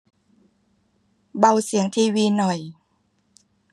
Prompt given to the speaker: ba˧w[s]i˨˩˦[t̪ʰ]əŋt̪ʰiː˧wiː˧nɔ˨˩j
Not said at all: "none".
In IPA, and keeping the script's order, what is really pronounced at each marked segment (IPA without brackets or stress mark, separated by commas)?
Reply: s, none